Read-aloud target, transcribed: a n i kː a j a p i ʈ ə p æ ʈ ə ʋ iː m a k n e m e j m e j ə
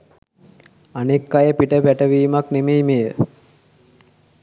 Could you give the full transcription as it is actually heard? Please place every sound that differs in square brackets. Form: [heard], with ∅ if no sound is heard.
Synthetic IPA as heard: a n [e] kː a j [ə] p i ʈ ə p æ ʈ ə ʋ iː m a k n e m e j m e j ə

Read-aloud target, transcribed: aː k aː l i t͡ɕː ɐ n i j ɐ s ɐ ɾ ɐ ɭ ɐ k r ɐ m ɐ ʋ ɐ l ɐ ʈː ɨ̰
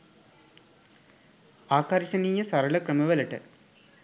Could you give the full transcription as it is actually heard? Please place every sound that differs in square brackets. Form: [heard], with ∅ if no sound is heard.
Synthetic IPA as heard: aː k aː [ɾ] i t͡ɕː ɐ n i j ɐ s ɐ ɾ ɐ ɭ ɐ k r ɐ m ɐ ʋ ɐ l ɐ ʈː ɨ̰

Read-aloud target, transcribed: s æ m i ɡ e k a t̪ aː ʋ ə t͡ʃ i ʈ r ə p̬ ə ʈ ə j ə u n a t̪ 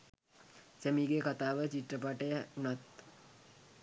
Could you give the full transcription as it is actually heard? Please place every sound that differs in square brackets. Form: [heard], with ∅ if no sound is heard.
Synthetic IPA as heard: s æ m i ɡ e k a t̪ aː ʋ ə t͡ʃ i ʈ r ə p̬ [a] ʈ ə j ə u n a t̪

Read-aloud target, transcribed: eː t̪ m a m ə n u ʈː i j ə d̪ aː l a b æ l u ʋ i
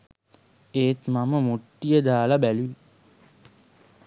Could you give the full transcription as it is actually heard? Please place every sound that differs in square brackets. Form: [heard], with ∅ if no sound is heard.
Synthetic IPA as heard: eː t̪ m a m ə [m] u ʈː i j ə d̪ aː l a b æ l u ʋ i

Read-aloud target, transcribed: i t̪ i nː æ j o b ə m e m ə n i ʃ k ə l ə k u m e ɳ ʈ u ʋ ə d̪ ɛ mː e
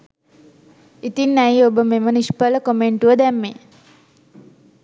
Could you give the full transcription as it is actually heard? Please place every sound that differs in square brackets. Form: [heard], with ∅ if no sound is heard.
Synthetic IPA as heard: i t̪ i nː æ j o b ə m e m ə n i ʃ [p] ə l ə k [o] m e ɳ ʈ u ʋ ə d̪ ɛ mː e

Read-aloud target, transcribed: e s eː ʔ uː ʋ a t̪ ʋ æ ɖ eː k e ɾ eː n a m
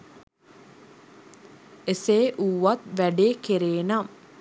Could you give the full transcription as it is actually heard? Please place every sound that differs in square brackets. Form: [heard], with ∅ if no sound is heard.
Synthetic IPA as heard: e s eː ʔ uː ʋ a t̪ ʋ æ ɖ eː k e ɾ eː n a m

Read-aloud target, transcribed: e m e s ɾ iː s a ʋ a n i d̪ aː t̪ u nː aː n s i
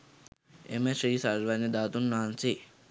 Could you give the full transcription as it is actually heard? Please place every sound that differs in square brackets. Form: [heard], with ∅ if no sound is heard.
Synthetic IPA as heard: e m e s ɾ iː s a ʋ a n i d̪ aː t̪ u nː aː n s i

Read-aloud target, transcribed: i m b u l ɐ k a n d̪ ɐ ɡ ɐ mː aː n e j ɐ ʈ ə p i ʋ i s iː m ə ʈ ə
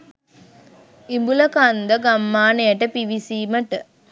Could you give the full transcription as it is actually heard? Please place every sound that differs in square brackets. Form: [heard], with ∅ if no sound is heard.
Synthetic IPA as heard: i m b u l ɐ k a n d̪ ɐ ɡ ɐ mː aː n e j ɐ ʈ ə p i ʋ i s iː m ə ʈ ə

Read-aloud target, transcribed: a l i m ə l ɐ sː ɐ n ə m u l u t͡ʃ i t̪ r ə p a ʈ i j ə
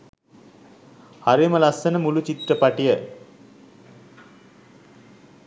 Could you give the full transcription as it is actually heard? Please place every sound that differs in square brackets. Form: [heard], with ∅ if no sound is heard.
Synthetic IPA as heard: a [ɾ] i m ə l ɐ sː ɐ n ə m u l u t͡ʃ i t̪ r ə p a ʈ i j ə

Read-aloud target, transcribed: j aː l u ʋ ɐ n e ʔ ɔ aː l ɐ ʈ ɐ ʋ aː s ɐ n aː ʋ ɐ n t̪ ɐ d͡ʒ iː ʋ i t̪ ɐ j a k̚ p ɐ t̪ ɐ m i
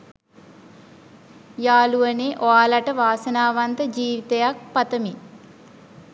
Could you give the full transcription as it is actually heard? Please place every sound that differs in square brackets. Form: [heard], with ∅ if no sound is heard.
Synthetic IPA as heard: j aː l u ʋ ɐ n e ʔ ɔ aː l ɐ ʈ ɐ ʋ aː s ɐ n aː ʋ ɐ n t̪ ɐ d͡ʒ iː ʋ i t̪ ɐ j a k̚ p ɐ t̪ ɐ m i

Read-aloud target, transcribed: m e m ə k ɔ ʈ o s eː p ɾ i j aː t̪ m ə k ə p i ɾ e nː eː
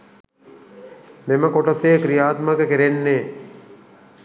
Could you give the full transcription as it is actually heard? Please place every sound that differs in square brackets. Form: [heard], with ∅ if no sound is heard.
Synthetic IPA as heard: m e m ə k [o] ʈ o s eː [k] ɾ i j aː t̪ m ə k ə [k] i ɾ e nː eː

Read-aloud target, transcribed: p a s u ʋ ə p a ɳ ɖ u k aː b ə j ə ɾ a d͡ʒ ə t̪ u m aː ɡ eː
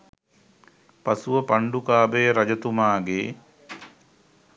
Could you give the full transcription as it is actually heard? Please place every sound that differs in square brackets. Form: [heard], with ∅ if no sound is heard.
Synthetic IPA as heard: p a s u ʋ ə p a ɳ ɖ u k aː b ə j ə ɾ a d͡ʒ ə t̪ u m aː ɡ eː

